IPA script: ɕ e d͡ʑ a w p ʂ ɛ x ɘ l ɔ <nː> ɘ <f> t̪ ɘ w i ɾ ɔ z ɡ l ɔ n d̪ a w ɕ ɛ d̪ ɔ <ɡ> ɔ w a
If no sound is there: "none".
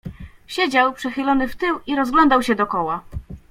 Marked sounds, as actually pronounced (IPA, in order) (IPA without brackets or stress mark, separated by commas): n, f, k